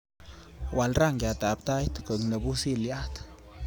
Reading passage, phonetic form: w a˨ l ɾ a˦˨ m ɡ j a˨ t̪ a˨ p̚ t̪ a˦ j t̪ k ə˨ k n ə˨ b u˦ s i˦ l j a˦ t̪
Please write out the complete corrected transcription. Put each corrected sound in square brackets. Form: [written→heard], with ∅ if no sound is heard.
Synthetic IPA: w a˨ l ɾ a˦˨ [m→ŋ] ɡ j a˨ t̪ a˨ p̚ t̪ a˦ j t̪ k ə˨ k n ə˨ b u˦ s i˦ l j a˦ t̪